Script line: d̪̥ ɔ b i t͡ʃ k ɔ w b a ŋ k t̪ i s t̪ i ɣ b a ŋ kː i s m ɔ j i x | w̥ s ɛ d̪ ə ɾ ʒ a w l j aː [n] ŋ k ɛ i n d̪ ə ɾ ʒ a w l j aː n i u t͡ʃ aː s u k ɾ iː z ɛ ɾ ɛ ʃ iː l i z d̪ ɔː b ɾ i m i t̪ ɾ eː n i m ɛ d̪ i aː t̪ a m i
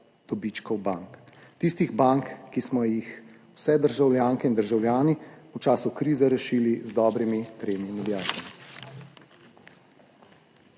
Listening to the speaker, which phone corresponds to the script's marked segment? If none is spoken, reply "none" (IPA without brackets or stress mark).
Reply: none